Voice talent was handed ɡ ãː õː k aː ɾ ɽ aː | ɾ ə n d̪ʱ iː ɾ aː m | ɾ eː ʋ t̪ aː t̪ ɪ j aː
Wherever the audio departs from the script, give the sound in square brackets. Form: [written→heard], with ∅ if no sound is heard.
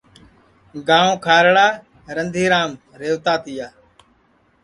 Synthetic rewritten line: ɡ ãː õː [k→kʰ] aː ɾ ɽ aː | ɾ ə n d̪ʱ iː ɾ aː m | ɾ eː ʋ t̪ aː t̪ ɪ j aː